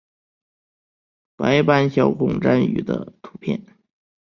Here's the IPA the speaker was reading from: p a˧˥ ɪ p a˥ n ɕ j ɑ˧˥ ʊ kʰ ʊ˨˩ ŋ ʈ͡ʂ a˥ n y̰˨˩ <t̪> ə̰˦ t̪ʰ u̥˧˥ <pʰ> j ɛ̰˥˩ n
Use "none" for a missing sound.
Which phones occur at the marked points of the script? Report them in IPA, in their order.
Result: d̪, pʰ

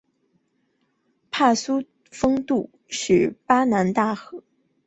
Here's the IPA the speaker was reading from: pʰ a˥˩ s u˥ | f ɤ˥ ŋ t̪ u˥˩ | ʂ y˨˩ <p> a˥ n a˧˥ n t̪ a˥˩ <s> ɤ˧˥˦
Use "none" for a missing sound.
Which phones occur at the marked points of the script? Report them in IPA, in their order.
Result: p, x

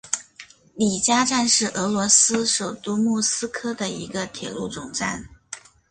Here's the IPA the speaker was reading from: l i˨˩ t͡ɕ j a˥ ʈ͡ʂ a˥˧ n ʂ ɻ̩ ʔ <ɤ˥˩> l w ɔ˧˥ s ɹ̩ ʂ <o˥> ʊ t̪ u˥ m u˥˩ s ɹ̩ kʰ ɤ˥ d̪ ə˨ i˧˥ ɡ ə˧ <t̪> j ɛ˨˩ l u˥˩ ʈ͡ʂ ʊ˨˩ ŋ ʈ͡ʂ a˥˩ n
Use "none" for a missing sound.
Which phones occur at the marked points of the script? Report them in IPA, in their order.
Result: ɤ˧˥, o˨˩, t̪ʰ

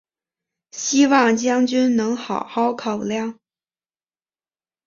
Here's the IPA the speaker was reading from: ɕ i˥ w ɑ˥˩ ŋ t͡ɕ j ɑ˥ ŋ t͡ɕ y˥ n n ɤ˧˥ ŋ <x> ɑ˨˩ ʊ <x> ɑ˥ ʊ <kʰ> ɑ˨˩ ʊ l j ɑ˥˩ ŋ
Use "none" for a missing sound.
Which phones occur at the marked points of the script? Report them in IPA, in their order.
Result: x, x, kʰ

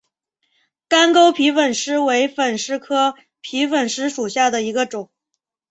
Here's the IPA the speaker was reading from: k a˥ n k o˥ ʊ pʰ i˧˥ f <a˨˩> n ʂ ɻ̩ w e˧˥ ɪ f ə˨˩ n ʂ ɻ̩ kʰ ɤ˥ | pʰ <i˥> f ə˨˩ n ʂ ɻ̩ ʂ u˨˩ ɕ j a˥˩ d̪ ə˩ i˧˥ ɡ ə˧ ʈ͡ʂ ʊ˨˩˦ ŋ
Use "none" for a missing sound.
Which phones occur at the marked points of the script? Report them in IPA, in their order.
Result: ə˨˩, i˧˥

